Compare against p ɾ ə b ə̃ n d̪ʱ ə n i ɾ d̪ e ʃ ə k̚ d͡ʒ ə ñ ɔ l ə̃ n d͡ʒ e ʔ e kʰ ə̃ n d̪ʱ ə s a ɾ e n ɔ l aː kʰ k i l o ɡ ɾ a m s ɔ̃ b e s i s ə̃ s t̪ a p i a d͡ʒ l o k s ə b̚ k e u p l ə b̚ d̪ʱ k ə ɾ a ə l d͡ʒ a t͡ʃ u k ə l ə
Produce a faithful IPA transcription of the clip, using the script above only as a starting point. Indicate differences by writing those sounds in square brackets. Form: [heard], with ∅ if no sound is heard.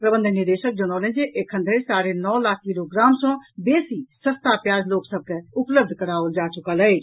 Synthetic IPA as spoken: p ɾ ə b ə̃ n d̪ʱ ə n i ɾ d̪ e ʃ ə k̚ d͡ʒ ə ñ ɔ l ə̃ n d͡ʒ e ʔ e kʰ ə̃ n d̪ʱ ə s a ɾ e n ɔ l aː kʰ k i l o ɡ ɾ a m s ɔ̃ b e s i s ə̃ s t̪ a p [j] a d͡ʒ l o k s ə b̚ k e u p l ə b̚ d̪ʱ k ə ɾ a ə l d͡ʒ a t͡ʃ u k ə l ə